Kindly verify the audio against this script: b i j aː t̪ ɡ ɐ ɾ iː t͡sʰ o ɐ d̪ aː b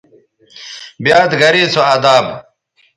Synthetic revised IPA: b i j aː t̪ ɡ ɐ ɾ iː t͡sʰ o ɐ d̪ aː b